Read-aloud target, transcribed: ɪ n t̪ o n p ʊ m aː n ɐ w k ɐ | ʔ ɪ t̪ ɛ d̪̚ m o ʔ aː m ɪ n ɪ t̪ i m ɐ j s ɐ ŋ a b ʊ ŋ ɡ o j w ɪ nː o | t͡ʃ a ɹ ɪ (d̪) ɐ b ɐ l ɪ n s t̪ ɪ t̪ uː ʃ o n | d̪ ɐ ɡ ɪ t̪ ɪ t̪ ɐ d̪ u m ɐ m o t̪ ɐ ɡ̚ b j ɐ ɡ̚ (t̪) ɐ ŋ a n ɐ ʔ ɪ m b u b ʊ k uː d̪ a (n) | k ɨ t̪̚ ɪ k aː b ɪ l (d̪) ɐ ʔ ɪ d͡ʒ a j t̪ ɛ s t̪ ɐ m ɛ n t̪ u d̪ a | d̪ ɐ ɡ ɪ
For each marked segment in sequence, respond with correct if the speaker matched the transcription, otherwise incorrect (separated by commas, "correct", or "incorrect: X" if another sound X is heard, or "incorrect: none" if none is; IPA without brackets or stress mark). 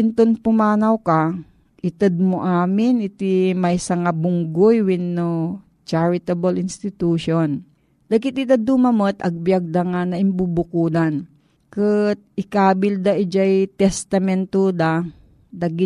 incorrect: t̪, incorrect: d̪, correct, correct